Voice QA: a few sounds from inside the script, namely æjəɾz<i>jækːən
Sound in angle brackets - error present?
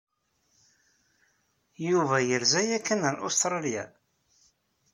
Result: yes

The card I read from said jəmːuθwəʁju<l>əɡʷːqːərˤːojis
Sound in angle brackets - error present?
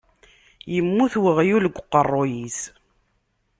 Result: no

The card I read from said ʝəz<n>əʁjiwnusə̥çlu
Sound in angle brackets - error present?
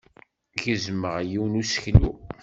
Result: yes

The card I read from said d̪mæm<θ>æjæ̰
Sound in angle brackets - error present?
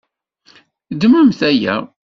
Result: no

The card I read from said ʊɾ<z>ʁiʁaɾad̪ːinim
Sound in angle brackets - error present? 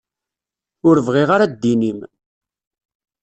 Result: yes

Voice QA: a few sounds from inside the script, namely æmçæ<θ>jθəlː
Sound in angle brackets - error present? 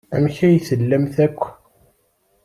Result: yes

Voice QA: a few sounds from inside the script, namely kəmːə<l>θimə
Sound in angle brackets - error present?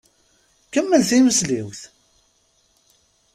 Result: no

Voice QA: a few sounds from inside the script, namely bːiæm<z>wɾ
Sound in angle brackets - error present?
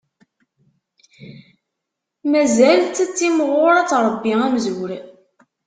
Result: no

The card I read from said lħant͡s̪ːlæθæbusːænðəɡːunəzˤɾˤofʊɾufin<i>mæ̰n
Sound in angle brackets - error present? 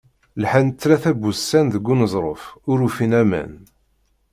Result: yes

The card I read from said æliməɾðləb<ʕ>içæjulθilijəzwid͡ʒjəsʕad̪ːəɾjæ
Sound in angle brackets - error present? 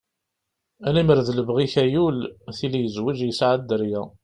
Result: yes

